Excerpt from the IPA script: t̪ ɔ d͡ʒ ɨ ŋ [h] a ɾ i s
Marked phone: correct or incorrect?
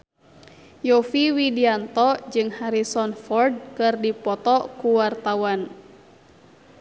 correct